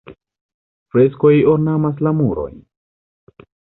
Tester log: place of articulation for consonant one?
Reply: labial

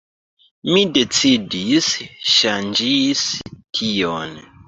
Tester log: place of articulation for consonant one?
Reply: labial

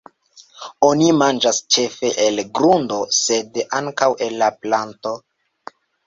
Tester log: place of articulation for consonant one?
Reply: alveolar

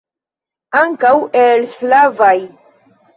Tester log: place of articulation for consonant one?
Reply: velar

